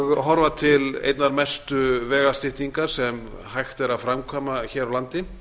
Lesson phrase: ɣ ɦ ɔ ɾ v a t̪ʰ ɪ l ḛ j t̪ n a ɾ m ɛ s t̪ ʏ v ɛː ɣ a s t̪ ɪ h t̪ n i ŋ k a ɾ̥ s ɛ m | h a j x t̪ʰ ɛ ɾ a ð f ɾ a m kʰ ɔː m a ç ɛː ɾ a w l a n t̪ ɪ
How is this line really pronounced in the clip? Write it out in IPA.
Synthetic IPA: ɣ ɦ ɔ ɾ v a t̪ʰ ɪ l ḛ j t̪ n a ɾ m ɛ s t̪ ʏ v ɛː ɣ a s t̪ ɪ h t̪ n i ŋ k a ɾ̥ s ɛ m | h a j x t̪ ɛ ɾ a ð f ɾ a m kʰ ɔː m a ç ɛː ɾ a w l a n t̪ ɪ